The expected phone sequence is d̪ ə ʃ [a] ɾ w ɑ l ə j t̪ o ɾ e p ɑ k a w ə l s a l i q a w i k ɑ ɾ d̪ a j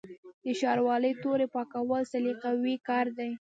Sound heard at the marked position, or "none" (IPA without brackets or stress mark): ɑ